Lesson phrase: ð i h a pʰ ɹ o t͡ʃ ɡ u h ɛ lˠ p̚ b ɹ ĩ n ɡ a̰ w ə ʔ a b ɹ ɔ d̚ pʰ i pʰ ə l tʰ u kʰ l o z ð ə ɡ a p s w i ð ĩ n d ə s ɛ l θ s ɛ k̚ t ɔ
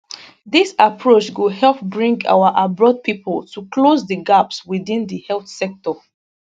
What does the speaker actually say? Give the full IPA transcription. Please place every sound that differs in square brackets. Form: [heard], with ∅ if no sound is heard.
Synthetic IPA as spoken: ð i [s] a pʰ ɹ o t͡ʃ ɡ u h ɛ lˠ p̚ b ɹ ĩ [ŋ] ɡ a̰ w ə ʔ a b ɹ ɔ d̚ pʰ i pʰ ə l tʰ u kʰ l o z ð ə ɡ a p s w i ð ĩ n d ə [h] ɛ l θ s ɛ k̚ t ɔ